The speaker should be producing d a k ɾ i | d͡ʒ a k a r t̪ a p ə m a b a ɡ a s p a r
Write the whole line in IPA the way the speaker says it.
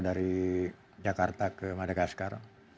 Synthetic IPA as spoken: d a ɾ i | d͡ʒ a k a r t̪ a k ə m a d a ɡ a s k a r